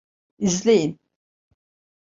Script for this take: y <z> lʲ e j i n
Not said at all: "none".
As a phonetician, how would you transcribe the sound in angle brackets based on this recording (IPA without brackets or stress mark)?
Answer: z